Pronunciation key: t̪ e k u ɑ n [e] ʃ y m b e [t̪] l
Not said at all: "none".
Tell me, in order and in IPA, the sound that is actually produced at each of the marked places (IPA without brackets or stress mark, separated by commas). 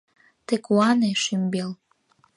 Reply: e, none